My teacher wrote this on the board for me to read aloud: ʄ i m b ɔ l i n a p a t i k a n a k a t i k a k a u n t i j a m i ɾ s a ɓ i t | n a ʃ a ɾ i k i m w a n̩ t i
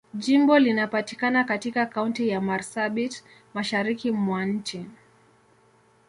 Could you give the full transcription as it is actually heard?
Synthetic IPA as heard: ʄ i m b ɔ l i n a p a t i k a n a k a t i k a k a u n t i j a m a ɾ s a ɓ i t | m a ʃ a ɾ i k i m w a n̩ t͡ʃ i